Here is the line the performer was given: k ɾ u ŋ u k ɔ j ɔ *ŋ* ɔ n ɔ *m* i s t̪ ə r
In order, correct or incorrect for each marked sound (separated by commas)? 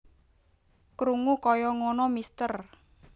correct, correct